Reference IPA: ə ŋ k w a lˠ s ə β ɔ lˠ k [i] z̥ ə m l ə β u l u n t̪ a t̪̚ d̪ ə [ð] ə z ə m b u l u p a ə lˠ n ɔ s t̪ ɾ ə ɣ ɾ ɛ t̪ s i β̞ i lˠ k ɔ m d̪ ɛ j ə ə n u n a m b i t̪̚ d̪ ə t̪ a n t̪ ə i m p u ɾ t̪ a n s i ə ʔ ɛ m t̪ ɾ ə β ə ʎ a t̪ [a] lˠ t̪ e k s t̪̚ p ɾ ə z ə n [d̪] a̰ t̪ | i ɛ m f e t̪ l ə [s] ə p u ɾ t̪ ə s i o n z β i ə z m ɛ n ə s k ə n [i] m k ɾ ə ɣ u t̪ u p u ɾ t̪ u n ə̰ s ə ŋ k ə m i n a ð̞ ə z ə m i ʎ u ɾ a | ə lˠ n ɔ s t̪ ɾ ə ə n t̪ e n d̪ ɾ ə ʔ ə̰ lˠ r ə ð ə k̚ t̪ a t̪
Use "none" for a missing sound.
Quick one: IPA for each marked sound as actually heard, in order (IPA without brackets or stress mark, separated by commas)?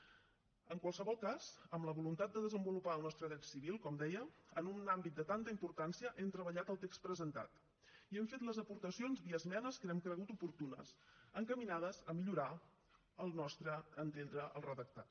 a, ð, ə, t̪, z, ɛ